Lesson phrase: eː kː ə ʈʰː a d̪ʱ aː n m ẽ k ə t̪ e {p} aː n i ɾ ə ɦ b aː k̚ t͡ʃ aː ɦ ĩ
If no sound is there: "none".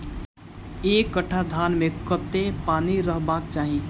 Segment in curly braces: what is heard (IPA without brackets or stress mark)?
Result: p